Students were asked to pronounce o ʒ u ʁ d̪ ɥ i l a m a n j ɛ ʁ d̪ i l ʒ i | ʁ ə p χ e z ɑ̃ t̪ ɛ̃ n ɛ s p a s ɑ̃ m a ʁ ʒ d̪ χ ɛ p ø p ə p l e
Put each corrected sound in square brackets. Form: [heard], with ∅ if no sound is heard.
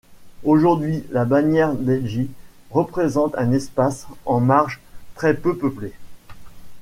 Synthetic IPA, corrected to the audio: o ʒ u ʁ d̪ ɥ i l a [b] a n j ɛ ʁ d̪ [ɛ] l ʒ i | ʁ ə p χ e z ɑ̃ t̪ ɛ̃ n ɛ s p a s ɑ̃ m a ʁ ʒ [t̪] χ ɛ p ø p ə p l e